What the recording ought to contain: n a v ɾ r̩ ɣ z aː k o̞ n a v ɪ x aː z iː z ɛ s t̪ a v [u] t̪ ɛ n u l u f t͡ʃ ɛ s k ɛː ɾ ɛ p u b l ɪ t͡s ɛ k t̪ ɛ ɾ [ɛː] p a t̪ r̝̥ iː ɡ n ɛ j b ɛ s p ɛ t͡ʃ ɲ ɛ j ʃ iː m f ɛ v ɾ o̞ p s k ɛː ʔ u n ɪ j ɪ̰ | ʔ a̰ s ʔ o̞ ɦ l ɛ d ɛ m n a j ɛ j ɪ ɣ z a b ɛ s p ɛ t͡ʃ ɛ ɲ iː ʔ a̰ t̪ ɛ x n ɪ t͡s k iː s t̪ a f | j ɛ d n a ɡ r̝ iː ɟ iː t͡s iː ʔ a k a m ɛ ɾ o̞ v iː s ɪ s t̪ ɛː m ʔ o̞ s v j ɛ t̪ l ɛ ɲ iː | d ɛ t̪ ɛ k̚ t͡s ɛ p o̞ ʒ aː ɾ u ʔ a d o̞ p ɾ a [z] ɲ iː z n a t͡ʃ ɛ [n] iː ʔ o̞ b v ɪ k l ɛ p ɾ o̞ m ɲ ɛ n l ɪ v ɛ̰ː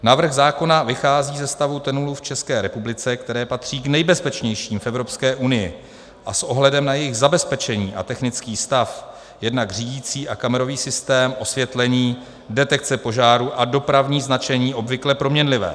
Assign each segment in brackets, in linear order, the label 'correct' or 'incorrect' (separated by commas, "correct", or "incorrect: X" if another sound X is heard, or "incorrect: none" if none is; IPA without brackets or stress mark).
correct, correct, incorrect: v, incorrect: ɲ